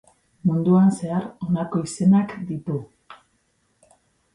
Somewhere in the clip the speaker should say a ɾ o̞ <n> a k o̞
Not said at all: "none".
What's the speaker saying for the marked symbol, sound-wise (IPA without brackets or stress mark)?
n